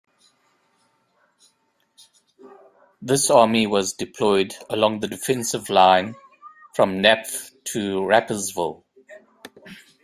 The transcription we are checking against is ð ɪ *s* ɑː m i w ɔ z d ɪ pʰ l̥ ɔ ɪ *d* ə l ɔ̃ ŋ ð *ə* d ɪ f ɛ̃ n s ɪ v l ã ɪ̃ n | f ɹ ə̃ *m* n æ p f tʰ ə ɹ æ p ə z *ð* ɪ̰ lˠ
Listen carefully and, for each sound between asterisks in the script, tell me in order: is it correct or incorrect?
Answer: correct, correct, correct, correct, incorrect: v

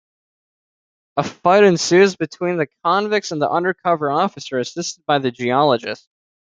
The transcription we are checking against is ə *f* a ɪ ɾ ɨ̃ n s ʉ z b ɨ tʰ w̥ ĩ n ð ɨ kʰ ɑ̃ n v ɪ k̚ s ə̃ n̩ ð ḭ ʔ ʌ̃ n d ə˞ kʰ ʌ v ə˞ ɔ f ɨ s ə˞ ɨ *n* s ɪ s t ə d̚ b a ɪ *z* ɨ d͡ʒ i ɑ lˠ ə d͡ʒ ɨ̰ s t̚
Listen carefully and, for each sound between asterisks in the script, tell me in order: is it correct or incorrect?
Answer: correct, incorrect: none, incorrect: ð

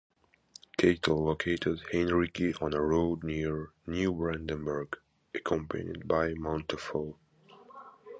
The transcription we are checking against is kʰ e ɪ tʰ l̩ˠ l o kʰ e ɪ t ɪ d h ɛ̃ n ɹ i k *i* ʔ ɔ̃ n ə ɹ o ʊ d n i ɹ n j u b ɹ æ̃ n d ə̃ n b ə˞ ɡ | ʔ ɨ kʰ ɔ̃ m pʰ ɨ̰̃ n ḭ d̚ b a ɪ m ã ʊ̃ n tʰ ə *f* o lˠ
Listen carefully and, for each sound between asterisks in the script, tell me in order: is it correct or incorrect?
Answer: correct, correct

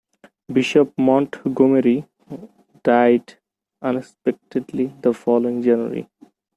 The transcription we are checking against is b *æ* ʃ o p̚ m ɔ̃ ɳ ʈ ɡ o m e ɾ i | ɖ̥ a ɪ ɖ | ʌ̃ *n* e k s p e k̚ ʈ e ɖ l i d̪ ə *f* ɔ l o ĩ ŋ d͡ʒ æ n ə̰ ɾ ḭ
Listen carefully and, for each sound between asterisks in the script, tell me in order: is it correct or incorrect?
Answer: incorrect: i, correct, correct

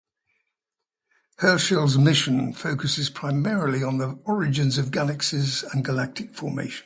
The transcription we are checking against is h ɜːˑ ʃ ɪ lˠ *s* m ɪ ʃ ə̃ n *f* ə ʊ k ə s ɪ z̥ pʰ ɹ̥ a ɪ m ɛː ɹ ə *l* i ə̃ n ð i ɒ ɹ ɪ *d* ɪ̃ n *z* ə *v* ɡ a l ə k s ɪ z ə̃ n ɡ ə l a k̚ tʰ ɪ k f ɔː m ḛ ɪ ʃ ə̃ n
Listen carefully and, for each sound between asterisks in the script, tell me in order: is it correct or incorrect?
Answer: incorrect: z, correct, correct, incorrect: d͡ʒ, correct, correct

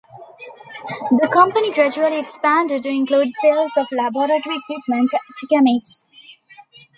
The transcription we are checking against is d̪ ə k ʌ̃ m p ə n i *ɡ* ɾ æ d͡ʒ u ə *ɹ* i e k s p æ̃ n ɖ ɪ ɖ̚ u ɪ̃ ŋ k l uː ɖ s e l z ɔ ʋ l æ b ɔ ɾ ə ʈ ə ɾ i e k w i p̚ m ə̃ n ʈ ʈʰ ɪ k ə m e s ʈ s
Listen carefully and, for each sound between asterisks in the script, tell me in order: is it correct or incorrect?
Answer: correct, incorrect: l

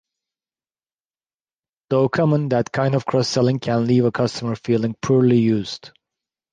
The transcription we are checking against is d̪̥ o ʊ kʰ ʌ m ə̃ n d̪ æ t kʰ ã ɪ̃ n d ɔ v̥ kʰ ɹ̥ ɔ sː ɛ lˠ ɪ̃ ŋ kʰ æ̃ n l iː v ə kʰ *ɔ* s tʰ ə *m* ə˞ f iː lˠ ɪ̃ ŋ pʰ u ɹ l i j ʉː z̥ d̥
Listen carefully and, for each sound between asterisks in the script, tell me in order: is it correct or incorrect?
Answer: incorrect: ʌ, correct

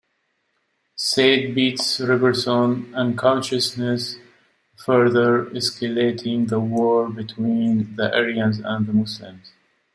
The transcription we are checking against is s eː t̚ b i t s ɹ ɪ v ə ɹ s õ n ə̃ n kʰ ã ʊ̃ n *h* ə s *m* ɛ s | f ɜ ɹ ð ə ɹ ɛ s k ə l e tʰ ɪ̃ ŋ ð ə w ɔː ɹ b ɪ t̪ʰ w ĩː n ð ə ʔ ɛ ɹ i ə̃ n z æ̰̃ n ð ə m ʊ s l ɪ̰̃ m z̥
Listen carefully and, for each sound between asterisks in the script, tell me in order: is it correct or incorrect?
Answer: incorrect: ʃ, incorrect: n

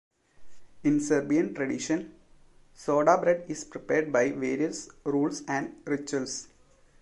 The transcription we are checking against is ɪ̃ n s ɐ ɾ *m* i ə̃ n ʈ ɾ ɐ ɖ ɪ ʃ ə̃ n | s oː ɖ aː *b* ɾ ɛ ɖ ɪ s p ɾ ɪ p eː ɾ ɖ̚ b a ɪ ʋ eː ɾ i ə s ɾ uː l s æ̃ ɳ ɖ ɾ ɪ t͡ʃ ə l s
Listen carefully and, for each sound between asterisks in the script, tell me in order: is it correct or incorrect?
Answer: incorrect: b, correct

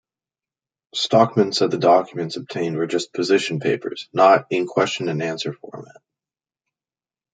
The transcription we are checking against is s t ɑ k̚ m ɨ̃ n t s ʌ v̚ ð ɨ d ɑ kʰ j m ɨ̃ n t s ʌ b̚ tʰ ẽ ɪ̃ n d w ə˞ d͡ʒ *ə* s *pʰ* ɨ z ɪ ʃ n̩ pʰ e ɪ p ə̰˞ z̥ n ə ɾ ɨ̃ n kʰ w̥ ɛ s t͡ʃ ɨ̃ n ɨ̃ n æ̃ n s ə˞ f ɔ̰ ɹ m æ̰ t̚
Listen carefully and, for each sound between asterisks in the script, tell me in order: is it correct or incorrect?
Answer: incorrect: ʌ, correct

